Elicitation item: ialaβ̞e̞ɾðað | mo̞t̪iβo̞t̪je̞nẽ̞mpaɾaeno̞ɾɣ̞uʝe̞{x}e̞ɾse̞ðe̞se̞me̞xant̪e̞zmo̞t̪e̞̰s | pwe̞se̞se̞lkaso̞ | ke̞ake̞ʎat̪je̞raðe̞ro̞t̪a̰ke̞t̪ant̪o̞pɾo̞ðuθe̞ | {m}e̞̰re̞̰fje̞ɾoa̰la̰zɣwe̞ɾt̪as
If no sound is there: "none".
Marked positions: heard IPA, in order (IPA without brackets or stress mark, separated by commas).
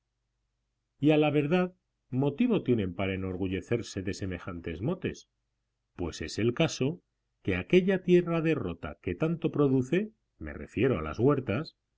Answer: θ, m